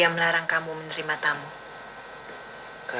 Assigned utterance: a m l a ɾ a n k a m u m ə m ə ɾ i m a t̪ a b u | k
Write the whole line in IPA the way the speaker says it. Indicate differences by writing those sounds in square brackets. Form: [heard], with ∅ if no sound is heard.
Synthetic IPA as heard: a m l a ɾ a [ŋ] k a m u m ə [n] ə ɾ i m a t̪ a [m] u | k